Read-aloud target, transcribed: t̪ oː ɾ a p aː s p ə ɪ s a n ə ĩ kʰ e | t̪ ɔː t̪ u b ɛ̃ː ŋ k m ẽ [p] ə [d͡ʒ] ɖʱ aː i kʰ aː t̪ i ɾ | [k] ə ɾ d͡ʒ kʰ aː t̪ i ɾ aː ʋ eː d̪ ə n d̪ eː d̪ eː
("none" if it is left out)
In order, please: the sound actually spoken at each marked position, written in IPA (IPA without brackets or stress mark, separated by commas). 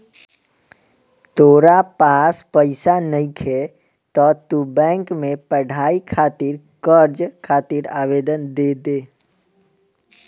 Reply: p, none, k